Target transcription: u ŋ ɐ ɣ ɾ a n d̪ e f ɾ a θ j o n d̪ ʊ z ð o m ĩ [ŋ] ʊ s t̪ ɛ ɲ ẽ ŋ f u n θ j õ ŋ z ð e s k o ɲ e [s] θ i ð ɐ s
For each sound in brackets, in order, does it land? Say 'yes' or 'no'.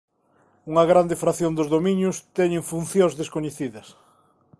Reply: no, no

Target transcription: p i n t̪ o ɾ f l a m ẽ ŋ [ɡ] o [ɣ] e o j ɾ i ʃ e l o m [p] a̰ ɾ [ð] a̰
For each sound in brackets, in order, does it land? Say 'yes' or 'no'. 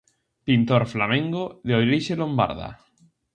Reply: yes, no, no, yes

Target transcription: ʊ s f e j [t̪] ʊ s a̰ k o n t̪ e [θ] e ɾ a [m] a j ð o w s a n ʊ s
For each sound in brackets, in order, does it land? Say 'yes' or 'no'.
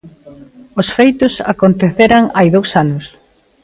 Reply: yes, yes, no

